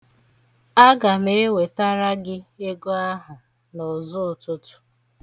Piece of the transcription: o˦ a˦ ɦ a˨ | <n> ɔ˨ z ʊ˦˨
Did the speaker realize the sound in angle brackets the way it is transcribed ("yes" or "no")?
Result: yes